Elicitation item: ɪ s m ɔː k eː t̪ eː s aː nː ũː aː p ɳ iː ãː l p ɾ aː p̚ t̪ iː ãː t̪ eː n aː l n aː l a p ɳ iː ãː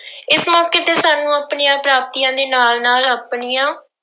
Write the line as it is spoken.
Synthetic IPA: ɪ s m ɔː k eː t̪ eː s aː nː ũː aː p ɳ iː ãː p ɾ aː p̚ t̪ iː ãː d̪ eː n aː l n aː l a p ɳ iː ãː